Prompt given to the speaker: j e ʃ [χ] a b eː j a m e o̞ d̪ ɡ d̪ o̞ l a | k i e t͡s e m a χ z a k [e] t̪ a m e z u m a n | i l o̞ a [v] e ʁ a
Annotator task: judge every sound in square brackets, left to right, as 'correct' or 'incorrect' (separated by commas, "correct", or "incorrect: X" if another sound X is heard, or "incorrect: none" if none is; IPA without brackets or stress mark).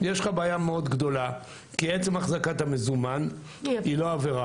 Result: correct, incorrect: a, correct